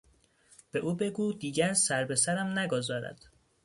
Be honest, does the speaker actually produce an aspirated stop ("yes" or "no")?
no